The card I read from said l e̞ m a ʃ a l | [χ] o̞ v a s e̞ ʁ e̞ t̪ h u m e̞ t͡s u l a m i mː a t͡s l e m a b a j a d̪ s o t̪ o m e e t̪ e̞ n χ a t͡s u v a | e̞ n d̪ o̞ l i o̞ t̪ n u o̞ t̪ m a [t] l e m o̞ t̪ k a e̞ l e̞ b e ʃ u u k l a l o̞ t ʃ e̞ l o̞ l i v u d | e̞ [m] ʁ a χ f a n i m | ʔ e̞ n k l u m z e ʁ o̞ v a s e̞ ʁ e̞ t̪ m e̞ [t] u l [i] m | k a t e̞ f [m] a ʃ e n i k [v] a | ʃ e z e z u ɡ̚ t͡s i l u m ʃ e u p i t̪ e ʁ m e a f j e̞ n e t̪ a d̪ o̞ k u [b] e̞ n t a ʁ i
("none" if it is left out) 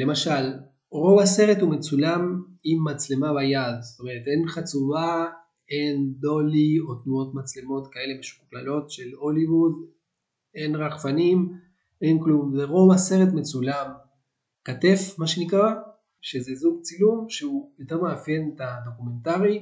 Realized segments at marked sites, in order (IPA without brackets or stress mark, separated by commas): ʁ, t͡s, n, t͡s, a, m, ʁ, m